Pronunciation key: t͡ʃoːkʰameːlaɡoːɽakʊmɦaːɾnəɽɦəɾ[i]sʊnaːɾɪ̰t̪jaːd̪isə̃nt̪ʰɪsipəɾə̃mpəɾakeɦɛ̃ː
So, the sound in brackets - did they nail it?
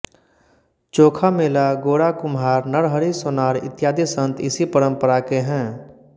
yes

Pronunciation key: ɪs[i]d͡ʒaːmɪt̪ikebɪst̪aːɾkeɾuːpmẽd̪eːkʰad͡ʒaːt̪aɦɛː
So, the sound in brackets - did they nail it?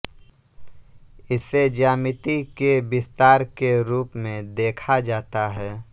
no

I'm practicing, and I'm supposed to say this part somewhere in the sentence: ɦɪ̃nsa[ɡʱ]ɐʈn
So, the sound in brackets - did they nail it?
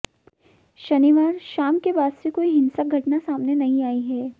yes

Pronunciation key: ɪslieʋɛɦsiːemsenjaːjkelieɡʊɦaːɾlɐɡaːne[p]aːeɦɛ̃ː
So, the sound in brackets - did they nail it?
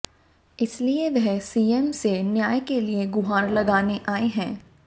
no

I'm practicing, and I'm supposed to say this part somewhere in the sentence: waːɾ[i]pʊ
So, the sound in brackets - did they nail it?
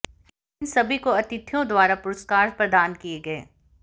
no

